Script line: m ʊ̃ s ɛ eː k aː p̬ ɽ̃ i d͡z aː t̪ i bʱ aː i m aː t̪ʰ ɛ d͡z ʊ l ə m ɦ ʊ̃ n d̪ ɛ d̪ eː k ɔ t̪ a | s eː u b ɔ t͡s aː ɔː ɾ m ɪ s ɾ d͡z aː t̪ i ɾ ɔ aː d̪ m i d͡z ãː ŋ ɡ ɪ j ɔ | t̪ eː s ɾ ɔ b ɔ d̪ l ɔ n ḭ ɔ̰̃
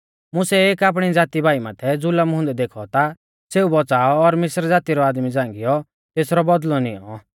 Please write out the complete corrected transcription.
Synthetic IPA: m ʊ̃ s ɛ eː k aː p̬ ɽ̃ i d͡z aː t̪ i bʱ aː i m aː t̪ʰ ɛ d͡z ʊ l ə m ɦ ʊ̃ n d̪ ɛ d̪ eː kʰ ɔ t̪ a | s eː u b ɔ t͡s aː ɔː ɾ m ɪ s ɾ d͡z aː t̪ i ɾ ɔ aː d̪ m i d͡z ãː ŋ ɡ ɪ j ɔ | t̪ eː s ɾ ɔ b ɔ d̪ l ɔ n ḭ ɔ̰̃